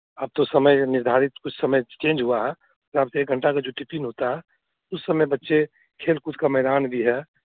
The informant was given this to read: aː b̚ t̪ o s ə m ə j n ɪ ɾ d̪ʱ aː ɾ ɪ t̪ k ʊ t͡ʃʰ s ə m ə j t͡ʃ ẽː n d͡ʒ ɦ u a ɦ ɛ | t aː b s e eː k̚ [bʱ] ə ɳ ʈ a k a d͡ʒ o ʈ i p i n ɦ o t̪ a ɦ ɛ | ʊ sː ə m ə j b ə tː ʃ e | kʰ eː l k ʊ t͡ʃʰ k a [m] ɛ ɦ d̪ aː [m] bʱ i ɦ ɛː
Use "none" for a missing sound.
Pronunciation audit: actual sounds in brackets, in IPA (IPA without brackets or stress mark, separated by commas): ɡʱ, m, n